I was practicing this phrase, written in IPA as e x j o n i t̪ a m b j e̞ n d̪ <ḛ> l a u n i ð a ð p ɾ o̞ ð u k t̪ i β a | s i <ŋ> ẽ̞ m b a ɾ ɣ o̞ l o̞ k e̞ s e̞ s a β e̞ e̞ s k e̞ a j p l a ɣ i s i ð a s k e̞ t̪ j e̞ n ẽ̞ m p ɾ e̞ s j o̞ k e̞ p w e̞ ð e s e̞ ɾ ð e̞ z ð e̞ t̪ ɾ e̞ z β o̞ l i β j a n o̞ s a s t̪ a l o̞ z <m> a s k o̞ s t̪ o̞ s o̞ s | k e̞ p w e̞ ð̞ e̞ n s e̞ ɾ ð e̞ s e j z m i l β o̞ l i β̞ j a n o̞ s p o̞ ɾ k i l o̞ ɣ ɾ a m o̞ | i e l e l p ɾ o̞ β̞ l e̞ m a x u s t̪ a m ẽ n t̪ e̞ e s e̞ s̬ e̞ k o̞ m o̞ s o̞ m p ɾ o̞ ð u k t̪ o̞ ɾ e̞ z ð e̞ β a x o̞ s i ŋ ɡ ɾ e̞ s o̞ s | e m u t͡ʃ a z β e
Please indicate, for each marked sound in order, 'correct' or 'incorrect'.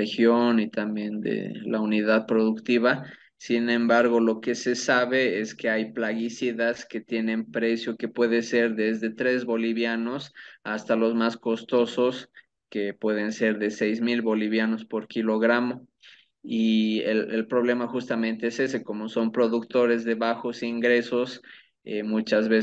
correct, incorrect, correct

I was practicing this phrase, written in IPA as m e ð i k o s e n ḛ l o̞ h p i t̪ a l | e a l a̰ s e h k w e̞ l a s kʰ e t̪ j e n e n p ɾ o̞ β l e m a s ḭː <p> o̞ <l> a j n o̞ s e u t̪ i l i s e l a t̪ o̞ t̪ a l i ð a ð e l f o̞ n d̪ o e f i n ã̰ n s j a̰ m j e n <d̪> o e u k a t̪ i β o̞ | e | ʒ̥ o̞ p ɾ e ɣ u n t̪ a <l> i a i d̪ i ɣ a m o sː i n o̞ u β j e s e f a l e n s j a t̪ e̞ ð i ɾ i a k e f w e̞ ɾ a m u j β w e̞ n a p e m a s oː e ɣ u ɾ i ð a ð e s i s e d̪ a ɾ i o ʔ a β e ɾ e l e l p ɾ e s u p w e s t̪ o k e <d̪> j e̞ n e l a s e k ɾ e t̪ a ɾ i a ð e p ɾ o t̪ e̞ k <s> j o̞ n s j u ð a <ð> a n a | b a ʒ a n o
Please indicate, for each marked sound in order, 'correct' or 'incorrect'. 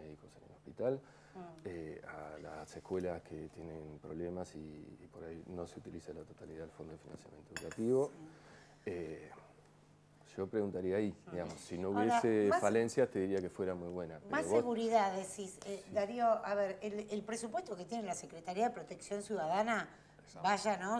correct, incorrect, incorrect, incorrect, incorrect, correct, correct

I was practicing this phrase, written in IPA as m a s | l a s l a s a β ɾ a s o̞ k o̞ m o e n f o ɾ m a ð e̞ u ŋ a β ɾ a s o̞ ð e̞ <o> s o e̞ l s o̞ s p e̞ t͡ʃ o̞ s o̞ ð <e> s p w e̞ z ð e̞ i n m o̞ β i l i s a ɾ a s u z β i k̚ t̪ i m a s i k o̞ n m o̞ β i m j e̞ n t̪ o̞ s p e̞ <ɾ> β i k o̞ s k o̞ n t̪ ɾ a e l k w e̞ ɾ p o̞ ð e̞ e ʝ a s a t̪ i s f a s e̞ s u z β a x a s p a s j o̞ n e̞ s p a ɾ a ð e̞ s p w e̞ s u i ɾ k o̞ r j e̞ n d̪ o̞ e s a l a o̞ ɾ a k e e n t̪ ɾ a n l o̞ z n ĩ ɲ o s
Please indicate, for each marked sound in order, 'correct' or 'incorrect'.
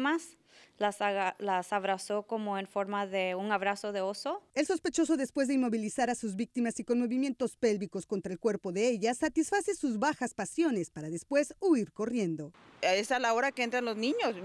correct, correct, incorrect

